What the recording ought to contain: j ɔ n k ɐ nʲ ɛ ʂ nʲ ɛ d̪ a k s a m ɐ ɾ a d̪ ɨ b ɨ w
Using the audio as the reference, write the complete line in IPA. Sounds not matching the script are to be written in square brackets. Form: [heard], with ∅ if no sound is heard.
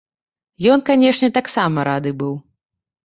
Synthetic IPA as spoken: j ɔ n k [a] nʲ ɛ ʂ nʲ ɛ [t̪] a k s a m ɐ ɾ a d̪ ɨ b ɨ w